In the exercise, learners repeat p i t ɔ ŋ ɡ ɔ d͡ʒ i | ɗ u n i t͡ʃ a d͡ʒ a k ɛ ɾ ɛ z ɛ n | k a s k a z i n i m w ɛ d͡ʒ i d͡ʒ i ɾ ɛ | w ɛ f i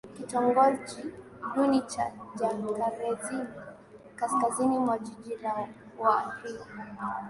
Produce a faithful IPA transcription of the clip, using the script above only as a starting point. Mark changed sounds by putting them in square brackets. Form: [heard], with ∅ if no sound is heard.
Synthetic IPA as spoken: [k] i t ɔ ŋ ɡ ɔ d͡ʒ i | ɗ u n i t͡ʃ a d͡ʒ a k [a] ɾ ɛ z [i] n | k a s k a z i n i m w [a] d͡ʒ i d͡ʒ i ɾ [a] | w [a] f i